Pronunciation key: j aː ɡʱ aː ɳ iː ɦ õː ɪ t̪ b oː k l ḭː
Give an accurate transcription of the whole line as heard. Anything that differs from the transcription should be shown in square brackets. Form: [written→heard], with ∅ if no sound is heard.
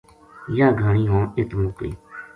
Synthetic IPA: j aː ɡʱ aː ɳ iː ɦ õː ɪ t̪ [b→m] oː k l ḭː